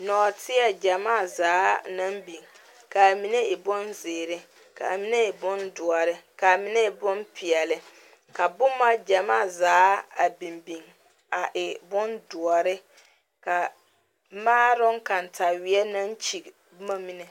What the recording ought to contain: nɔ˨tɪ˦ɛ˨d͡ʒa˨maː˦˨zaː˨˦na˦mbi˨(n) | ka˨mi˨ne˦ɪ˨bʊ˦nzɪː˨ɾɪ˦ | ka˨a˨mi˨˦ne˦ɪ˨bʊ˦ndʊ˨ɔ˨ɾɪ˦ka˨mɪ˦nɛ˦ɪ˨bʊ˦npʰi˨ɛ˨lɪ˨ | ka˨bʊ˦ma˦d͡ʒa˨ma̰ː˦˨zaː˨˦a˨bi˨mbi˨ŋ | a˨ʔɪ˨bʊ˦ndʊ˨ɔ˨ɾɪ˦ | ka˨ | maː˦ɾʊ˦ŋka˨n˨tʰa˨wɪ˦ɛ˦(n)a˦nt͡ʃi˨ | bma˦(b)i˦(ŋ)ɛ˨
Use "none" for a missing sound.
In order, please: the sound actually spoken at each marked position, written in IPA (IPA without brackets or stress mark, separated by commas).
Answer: ŋ, n, m, n